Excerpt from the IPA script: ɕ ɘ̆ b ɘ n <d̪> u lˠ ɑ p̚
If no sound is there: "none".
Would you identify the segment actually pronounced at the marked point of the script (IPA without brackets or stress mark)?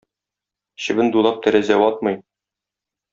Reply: d̪